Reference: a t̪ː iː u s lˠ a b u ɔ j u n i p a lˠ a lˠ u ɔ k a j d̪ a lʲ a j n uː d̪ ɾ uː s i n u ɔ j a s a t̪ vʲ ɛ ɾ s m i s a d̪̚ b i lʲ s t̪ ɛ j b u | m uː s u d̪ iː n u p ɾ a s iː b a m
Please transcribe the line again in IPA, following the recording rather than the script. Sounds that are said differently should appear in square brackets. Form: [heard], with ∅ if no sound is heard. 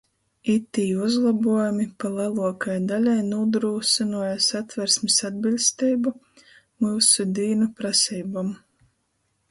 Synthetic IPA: [i] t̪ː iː u [z] lˠ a b u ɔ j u [m] i p a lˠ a lˠ u ɔ k a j d̪ a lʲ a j n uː d̪ ɾ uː s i n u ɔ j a s a t̪ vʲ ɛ ɾ s m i s a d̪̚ b i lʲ s t̪ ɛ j b u | m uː s u d̪ iː n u p ɾ a s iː b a m